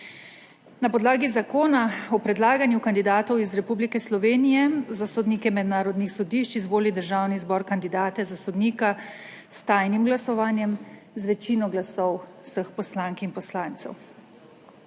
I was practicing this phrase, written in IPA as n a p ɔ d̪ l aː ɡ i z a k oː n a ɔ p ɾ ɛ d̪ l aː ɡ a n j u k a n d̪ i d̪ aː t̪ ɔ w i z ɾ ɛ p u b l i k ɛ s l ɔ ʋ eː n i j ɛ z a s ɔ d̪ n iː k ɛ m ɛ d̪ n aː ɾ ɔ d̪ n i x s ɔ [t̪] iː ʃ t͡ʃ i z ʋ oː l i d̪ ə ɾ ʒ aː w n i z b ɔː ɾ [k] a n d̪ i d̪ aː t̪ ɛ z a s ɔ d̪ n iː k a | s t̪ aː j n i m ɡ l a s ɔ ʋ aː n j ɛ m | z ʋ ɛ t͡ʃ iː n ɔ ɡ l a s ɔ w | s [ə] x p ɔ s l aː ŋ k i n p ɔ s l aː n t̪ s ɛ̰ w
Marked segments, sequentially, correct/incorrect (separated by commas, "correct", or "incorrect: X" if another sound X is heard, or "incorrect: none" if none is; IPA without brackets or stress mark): incorrect: d̪, correct, correct